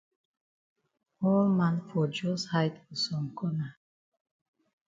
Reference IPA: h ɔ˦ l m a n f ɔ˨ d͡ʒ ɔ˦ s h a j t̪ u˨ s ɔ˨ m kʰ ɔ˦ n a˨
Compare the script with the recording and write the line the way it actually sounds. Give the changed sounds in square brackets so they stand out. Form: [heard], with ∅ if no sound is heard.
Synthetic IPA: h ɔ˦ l m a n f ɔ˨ d͡ʒ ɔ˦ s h a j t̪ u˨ s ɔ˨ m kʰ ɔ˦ n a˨